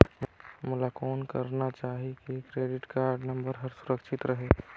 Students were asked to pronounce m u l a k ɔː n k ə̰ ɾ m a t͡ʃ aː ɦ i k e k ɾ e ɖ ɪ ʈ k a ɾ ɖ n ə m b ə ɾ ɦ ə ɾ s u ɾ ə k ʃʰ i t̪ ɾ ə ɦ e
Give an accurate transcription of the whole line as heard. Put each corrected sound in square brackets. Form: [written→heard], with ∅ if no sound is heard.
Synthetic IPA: m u l a k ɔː n k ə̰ ɾ [m→n] a t͡ʃ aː ɦ i k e k ɾ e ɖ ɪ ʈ k a ɾ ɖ n ə m b ə ɾ ɦ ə ɾ s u ɾ ə k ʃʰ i t̪ ɾ ə ɦ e